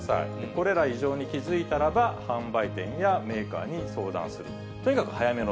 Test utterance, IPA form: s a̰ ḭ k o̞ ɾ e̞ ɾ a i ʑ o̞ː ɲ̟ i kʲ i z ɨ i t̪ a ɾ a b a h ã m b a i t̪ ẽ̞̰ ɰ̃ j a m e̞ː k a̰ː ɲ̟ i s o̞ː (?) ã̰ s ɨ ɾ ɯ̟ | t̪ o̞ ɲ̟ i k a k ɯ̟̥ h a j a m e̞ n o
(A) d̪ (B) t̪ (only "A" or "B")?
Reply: A